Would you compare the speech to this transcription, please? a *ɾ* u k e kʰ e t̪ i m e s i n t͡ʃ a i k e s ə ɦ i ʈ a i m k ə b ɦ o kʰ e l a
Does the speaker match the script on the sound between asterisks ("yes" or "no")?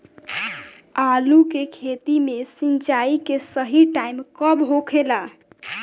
no